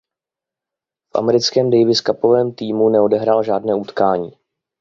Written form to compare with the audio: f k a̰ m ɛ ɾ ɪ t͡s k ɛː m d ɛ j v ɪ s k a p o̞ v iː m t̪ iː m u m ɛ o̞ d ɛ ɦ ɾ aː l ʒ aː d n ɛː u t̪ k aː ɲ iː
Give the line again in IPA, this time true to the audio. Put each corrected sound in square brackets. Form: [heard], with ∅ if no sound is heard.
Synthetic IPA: f [ʔ] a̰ m ɛ ɾ ɪ t͡s k ɛː m d ɛ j v ɪ s k a p o̞ v [ɛː] m t̪ iː m u [n] ɛ o̞ d ɛ ɦ ɾ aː l ʒ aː d n ɛː u t̪ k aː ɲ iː